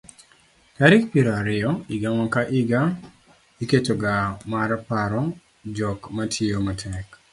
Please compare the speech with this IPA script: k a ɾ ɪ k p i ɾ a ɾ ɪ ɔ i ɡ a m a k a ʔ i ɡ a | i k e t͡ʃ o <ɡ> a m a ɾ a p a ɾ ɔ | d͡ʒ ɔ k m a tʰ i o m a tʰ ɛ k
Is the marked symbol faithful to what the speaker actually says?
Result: yes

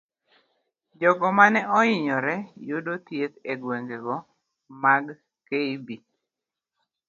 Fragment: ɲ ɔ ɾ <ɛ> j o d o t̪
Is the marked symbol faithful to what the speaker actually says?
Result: yes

